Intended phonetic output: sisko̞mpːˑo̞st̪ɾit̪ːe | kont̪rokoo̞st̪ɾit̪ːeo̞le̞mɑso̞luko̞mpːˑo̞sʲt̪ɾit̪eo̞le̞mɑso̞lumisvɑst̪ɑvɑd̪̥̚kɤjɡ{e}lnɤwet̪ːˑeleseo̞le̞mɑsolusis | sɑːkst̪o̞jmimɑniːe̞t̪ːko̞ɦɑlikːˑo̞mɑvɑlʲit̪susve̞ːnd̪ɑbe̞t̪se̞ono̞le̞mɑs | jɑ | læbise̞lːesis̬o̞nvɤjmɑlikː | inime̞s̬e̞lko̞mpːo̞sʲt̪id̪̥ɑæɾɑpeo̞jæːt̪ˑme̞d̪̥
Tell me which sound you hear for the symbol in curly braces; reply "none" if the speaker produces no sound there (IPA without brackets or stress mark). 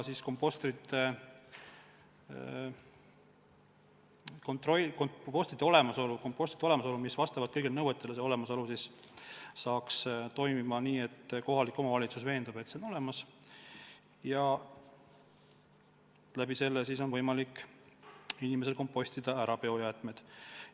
i